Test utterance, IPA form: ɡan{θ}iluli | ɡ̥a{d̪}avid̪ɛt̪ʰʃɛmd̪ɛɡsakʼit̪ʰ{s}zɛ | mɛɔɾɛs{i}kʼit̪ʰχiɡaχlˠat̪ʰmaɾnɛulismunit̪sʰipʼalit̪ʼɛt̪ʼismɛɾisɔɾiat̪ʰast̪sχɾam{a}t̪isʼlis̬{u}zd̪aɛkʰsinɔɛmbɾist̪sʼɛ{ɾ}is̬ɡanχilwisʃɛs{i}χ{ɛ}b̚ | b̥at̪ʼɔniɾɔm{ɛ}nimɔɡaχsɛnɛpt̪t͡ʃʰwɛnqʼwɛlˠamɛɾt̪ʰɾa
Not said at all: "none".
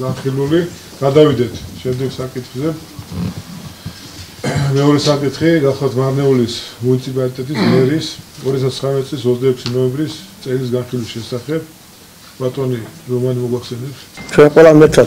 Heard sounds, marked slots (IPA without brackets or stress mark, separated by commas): χ, d̪, χ, a, ɛ, ɔ, l, a, ɛ, a